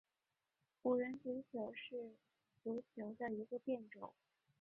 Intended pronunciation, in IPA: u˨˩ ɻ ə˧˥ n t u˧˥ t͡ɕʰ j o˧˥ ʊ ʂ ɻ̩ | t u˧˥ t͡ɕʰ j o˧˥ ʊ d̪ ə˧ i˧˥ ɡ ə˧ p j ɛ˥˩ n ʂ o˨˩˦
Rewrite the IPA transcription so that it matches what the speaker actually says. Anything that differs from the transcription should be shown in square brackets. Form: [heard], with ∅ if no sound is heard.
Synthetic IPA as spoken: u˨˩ ɻ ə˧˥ n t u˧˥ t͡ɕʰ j o˧˥ ʊ ʂ ɻ̩ | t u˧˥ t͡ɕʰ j o˧˥ ʊ d̪ ə˧ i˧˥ ɡ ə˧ p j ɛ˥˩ n [ʈ͡ʂ] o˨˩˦